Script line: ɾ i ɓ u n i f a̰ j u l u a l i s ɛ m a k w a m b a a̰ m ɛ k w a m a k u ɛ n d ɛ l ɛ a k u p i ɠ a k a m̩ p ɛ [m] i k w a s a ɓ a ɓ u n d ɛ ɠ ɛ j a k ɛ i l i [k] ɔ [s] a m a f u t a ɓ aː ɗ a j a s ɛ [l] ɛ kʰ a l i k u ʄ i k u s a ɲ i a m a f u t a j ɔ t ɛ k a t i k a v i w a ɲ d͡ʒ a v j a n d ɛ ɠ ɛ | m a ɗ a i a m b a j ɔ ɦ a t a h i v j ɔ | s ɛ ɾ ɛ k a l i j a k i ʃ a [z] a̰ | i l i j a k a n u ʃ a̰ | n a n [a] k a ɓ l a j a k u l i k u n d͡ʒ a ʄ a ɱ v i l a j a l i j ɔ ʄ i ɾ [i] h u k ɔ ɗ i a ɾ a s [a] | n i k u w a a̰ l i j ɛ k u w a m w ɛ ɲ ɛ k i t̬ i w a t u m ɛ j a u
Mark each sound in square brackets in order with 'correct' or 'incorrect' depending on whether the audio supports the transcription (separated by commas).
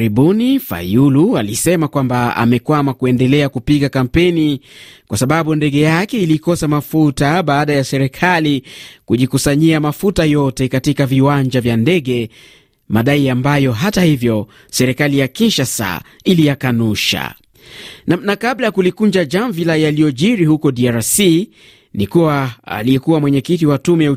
incorrect, correct, correct, incorrect, incorrect, correct, correct, incorrect